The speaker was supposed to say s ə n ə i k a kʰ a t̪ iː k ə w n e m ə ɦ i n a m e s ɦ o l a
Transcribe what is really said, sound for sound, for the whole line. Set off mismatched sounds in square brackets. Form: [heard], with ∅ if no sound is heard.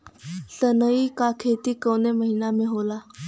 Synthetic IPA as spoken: s ə n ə i k a kʰ [e] t̪ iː k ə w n e m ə ɦ i n a m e [∅] ɦ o l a